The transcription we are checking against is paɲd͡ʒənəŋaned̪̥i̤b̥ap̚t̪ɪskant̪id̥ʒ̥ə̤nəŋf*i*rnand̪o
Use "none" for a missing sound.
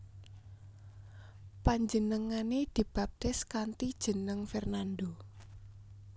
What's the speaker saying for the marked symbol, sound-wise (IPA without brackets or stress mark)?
ɛ